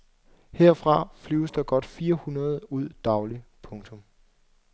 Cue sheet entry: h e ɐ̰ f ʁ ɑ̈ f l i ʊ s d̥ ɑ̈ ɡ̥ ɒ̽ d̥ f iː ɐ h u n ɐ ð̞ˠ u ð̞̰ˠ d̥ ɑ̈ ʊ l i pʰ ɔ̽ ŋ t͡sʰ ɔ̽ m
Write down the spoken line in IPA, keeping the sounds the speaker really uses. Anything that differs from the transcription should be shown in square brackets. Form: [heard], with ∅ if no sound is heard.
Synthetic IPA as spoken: h e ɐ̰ f ʁ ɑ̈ f l [y] ʊ s d̥ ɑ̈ ɡ̥ ɒ̽ d̥ f iː ɐ h u n ɐ ð̞ˠ u ð̞̰ˠ d̥ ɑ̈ ʊ l i pʰ ɔ̽ ŋ t͡sʰ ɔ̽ m